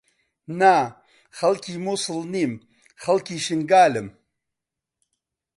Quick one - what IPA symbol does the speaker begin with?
n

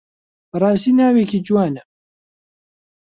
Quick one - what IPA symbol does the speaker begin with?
b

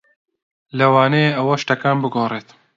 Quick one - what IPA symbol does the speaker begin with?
l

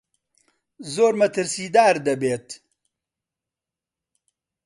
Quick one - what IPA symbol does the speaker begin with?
z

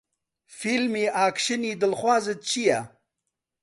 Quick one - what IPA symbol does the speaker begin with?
f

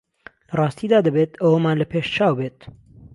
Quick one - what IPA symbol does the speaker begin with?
l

